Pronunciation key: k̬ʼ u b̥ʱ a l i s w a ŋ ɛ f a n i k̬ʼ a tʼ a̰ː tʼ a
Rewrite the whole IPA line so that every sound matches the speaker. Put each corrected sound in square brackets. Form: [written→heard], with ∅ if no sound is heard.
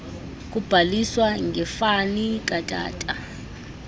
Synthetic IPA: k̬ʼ u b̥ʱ a l i s w a ŋ ɛ f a n i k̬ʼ a tʼ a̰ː tʼ a